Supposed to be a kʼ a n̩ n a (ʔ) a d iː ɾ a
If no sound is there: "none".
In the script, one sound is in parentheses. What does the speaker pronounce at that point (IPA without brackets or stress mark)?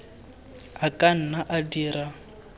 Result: ʔ